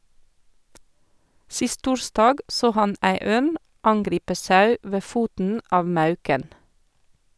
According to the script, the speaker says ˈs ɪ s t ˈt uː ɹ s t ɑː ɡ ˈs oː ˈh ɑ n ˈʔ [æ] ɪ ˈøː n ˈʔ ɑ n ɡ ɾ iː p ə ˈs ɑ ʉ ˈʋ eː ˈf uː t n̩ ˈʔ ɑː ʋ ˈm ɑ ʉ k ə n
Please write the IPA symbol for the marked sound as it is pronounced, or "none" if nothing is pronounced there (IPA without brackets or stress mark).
æ